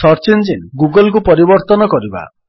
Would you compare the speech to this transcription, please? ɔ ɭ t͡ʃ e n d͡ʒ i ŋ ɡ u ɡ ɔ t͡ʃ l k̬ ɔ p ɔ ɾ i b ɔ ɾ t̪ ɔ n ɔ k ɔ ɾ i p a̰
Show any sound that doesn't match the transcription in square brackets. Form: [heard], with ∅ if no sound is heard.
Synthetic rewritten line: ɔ [ɾ] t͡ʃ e n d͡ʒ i [n] ɡ u ɡ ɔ [∅] l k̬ [u] p ɔ ɾ i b ɔ ɾ t̪ ɔ n ɔ k ɔ ɾ i [b] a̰